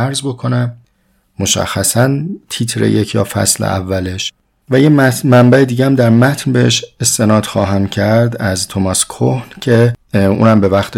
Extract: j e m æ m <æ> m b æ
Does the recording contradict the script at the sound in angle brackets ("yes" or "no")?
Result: no